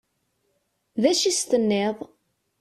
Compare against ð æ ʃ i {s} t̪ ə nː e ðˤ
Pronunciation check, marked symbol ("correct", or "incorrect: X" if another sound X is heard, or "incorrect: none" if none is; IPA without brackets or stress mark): correct